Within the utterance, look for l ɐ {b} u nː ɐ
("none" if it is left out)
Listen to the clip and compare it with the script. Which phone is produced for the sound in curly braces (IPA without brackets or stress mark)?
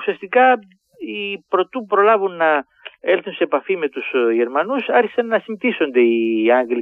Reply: v